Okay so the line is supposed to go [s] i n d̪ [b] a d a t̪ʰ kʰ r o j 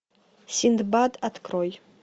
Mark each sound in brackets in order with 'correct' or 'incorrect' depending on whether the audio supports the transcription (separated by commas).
correct, correct